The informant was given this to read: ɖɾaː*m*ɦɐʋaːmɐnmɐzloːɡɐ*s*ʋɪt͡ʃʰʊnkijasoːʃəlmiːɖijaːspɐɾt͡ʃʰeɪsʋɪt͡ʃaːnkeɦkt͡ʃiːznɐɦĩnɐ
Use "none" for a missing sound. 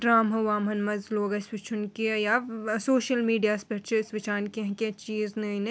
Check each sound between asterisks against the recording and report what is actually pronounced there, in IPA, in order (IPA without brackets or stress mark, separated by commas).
m, s